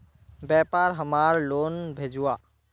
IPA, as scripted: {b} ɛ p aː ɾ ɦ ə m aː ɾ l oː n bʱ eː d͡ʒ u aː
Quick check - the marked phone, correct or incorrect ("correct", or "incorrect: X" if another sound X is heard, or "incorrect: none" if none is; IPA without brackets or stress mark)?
correct